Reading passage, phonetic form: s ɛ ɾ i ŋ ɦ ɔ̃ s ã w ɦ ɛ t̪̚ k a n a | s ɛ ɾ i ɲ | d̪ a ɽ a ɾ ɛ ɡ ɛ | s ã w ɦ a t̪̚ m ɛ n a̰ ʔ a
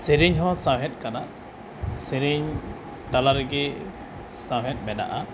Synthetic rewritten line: s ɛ ɾ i ɲ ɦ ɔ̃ s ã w ɦ ɛ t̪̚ k a n a | s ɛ ɾ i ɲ | t̪ a l a ɾ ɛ ɡ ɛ | s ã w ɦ ɛ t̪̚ m ɛ n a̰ ʔ a